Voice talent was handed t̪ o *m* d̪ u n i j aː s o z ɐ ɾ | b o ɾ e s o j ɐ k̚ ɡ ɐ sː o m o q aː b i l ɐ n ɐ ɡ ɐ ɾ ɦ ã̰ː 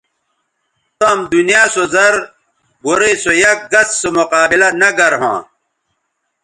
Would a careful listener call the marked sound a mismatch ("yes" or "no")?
no